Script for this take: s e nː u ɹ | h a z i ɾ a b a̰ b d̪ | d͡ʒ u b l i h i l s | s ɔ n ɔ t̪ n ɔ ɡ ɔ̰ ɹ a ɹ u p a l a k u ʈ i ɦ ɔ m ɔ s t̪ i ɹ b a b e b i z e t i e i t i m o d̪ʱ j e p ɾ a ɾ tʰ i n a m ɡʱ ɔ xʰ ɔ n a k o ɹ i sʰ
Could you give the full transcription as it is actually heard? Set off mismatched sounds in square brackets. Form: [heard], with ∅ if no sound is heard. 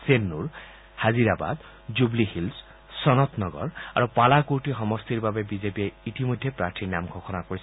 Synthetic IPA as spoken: s e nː u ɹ | h a z i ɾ a b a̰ [∅] d̪ | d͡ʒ u b l i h i l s | s ɔ n ɔ t̪ n ɔ ɡ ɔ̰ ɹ a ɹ u p a l a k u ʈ i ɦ ɔ m ɔ s t̪ i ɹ b a b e b i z e [p] i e i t i m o d̪ʱ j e p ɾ a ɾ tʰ i n a m ɡʱ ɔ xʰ ɔ n a k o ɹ i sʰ